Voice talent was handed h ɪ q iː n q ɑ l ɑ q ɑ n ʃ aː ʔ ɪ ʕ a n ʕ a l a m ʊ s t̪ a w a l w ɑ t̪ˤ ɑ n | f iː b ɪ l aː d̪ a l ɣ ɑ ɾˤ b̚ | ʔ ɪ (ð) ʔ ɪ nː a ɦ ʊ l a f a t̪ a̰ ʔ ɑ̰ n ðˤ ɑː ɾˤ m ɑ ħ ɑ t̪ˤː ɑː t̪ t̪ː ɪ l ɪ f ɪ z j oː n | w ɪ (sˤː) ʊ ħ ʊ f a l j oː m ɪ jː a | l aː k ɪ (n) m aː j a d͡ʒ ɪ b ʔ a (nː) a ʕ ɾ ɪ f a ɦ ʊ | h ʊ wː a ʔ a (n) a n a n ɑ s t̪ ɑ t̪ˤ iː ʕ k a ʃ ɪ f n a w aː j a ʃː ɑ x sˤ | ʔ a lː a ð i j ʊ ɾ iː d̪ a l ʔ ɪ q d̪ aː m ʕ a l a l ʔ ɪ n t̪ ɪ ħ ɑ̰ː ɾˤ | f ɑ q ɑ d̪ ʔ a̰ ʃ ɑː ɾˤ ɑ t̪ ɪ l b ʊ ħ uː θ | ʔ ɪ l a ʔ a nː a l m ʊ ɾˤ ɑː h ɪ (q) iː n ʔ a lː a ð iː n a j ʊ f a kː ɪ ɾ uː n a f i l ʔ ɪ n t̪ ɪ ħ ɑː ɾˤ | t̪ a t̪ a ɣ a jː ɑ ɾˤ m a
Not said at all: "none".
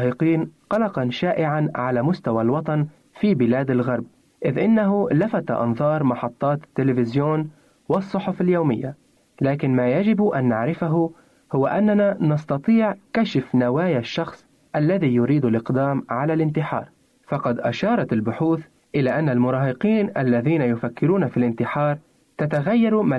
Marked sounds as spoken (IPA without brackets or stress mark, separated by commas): ð, sˤː, n, nː, nː, q